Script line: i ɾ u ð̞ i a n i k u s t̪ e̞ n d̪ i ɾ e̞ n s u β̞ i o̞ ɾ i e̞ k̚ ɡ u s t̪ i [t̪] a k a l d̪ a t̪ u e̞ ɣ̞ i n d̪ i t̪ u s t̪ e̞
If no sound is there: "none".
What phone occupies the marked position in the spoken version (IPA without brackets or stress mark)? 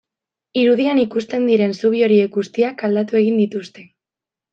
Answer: none